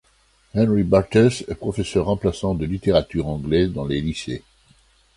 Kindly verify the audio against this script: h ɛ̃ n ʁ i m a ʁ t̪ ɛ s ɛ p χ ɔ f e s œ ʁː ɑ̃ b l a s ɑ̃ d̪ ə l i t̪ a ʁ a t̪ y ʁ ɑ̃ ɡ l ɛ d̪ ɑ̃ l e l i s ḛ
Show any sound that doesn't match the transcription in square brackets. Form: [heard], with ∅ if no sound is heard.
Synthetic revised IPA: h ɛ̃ n ʁ i [b] a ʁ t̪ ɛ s ɛ p χ ɔ f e s œ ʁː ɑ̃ [p] l a s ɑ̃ d̪ ə l i t̪ [e] ʁ a t̪ y ʁ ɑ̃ ɡ l ɛ d̪ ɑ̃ l e l i s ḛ